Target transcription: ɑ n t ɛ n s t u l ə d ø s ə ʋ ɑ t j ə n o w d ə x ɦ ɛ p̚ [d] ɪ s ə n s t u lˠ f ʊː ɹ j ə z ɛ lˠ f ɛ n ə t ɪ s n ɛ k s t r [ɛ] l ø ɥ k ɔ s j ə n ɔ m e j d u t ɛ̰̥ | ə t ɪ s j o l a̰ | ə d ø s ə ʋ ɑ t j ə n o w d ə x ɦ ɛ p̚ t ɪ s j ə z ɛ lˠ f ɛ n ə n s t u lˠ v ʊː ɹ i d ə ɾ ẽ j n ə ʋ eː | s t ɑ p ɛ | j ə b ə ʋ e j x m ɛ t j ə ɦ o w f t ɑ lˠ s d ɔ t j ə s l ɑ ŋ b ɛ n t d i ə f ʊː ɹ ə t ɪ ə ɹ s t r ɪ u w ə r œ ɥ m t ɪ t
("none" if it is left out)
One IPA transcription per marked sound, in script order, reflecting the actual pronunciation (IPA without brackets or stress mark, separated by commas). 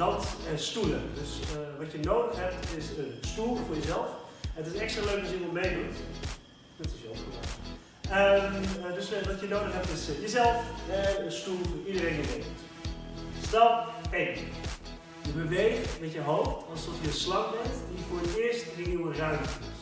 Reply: t, a